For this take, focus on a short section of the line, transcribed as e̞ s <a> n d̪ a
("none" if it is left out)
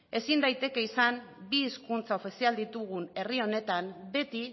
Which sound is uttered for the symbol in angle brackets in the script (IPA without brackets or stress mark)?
i